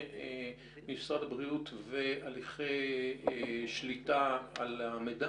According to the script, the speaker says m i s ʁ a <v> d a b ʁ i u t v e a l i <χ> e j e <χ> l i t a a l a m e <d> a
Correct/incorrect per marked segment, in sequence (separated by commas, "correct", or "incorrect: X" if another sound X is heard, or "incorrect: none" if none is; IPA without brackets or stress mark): incorrect: none, correct, incorrect: ʃ, correct